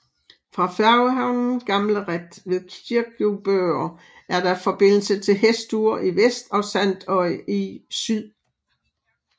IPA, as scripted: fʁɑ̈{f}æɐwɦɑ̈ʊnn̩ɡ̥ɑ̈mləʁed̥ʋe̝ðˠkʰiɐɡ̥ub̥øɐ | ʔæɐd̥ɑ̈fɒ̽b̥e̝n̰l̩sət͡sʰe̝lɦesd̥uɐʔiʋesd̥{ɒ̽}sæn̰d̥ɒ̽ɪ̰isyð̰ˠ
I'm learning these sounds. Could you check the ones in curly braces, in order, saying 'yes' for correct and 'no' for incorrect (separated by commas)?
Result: yes, yes